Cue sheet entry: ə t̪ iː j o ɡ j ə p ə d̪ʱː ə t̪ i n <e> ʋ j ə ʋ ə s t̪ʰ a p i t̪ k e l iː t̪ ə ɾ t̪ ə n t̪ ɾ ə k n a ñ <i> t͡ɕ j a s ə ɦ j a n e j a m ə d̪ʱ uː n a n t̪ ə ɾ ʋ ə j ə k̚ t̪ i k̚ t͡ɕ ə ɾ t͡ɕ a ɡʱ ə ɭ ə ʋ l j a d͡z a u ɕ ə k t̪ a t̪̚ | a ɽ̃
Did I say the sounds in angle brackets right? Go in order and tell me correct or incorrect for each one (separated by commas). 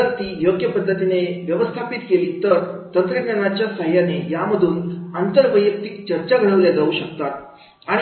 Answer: correct, incorrect